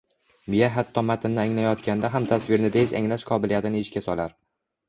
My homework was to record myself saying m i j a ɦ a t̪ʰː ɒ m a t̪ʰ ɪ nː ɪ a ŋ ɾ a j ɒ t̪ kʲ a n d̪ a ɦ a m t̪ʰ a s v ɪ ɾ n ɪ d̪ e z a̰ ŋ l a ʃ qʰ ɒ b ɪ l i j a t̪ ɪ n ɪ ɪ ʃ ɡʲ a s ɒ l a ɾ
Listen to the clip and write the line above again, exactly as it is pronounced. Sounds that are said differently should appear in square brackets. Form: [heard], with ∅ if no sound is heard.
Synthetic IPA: m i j a ɦ a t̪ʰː ɒ m a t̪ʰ ɪ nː ɪ a ŋ [l] a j ɒ t̪ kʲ a n d̪ a ɦ a m t̪ʰ a s v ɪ ɾ n ɪ d̪ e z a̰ ŋ l a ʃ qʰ ɒ b ɪ l i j a t̪ ɪ n ɪ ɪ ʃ [kʲ] a s ɒ l a ɾ